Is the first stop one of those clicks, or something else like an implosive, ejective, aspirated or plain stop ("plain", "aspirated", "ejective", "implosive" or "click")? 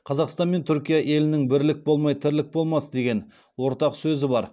aspirated